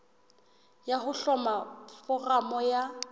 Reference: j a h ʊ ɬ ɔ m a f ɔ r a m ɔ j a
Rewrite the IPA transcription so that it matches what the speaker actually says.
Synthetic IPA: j a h ʊ ɬ ɔ m a f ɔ r a m ɔ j a